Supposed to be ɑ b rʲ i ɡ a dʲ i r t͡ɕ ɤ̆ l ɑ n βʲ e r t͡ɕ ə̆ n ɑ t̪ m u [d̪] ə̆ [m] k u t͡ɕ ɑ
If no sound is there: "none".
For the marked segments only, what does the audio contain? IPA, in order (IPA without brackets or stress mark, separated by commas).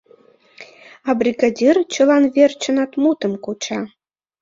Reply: t̪, m